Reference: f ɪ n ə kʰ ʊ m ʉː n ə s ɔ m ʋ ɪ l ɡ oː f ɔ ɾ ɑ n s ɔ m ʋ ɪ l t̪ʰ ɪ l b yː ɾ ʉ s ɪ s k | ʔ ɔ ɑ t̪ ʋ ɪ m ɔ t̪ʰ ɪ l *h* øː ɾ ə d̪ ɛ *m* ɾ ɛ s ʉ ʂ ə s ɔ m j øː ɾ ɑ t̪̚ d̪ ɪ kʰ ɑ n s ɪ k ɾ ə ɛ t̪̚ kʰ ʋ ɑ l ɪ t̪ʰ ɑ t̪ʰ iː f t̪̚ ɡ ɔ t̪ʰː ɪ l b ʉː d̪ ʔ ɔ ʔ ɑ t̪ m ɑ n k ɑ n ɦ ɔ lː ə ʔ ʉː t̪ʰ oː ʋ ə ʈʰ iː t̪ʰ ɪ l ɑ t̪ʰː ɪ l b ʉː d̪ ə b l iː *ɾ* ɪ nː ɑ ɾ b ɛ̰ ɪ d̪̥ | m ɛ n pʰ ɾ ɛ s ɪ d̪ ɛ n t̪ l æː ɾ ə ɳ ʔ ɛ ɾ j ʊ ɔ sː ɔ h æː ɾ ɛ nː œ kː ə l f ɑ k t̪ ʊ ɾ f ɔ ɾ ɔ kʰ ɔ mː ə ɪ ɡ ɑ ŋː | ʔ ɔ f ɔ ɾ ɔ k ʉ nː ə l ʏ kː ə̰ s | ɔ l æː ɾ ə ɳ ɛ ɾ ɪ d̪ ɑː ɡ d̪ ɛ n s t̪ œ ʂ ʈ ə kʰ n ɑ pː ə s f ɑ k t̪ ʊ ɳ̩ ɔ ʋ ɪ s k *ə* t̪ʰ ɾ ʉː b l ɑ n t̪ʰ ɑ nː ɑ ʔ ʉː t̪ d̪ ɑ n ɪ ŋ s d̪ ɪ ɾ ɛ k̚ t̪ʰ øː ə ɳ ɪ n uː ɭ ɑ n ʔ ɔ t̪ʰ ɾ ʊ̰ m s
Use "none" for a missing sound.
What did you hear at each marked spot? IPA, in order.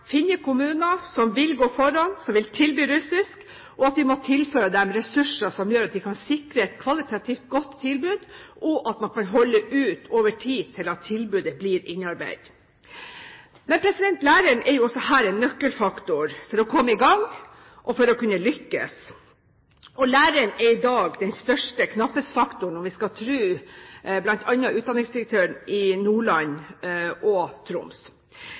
f, m, ɾ, ɑ

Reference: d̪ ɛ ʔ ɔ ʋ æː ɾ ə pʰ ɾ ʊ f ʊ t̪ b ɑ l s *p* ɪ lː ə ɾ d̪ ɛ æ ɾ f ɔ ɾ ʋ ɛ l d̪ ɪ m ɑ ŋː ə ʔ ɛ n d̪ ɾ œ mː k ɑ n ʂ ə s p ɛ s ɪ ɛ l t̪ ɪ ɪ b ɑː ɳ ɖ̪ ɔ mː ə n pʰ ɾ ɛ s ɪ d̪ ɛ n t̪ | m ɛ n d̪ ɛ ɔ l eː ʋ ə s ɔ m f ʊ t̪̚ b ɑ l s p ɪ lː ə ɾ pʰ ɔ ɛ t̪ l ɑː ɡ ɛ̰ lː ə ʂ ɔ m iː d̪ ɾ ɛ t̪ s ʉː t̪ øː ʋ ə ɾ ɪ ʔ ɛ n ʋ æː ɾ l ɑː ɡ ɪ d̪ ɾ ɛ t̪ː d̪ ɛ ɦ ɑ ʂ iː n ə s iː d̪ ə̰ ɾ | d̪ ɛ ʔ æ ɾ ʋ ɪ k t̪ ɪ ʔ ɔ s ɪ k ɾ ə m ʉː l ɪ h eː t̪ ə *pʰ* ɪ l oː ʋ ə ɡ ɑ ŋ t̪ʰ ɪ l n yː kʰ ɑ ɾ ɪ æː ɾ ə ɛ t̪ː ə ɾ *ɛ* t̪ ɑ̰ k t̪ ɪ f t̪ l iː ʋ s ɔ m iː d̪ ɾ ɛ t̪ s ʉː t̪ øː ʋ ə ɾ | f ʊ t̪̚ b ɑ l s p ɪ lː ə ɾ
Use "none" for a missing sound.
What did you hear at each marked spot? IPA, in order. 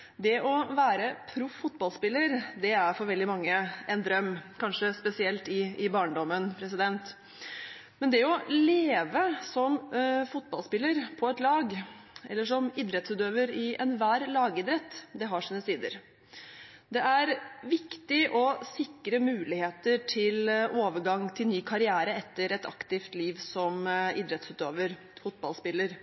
p, ʈʰ, ɛ

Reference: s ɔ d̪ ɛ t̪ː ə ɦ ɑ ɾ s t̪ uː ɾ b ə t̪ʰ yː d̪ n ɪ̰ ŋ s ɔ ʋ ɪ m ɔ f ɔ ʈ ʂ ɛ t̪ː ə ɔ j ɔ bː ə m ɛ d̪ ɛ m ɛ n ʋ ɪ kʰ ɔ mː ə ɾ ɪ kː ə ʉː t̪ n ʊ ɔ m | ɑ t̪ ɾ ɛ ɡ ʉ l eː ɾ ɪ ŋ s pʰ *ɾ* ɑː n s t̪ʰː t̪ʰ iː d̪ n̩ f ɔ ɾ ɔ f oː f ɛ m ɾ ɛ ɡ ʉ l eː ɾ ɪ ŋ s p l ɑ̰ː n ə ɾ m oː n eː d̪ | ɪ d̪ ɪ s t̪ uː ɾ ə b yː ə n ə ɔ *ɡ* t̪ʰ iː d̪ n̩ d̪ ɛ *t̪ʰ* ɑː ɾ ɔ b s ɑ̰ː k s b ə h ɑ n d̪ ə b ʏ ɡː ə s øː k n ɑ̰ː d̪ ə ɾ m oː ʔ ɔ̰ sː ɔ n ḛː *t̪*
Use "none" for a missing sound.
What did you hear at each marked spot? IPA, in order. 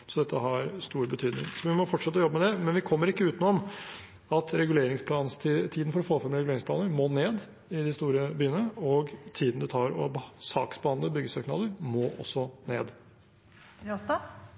l, ɡ, t̪ʰ, d̪

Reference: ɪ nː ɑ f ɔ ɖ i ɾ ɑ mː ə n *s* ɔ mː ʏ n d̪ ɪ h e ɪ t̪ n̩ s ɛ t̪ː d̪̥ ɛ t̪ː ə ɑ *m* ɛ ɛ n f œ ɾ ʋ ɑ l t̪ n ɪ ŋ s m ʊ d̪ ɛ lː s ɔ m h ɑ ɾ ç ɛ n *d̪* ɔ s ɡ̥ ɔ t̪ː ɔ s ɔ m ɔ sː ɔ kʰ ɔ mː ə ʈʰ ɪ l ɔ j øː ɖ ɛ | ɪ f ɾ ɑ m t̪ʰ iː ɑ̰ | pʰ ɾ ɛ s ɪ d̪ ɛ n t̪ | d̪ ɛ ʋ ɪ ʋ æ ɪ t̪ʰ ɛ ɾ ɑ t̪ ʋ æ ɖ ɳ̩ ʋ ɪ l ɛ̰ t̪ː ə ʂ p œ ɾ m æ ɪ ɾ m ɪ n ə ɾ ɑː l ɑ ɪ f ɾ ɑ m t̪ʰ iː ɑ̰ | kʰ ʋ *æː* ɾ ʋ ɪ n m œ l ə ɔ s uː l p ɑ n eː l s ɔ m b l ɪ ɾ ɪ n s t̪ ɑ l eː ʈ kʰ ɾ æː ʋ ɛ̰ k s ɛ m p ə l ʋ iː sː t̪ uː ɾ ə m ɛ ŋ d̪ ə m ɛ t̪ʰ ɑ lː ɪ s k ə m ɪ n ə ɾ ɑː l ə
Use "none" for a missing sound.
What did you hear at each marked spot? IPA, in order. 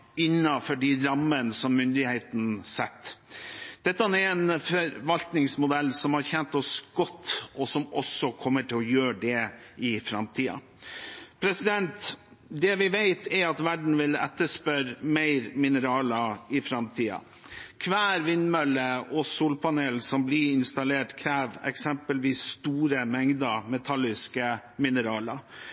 s, n, t̪, æː

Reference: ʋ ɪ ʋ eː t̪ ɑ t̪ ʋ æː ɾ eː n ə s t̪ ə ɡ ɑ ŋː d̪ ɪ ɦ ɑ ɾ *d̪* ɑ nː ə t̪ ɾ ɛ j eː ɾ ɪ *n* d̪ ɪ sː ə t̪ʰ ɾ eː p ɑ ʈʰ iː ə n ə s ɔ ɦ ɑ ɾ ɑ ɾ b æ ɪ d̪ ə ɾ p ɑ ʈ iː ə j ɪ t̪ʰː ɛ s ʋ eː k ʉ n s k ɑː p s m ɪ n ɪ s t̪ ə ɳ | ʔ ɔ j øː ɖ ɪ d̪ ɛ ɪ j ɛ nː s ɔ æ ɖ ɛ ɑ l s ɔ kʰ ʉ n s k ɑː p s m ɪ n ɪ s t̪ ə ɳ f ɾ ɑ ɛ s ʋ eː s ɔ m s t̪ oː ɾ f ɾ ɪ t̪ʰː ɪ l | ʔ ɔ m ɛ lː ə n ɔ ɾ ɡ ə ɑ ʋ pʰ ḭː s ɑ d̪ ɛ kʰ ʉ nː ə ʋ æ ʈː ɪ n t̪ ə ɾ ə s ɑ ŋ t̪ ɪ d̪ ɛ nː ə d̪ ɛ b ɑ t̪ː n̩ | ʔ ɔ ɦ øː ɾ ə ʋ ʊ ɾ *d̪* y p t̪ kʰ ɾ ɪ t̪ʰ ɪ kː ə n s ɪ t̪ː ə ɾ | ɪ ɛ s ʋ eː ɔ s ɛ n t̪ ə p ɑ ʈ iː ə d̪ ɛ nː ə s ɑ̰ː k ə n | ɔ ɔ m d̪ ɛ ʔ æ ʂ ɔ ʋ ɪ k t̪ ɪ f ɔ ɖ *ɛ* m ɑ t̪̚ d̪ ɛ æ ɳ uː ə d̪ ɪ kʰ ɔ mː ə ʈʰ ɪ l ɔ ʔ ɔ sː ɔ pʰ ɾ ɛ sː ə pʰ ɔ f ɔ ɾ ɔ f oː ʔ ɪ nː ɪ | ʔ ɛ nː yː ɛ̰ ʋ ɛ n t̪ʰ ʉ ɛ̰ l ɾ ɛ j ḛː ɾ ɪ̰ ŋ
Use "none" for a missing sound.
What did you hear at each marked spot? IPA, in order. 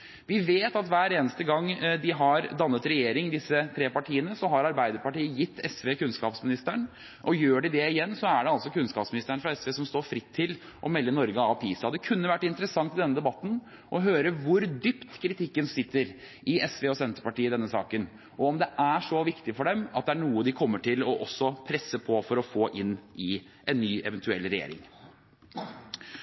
d̪, ŋ, d̪, ɛ

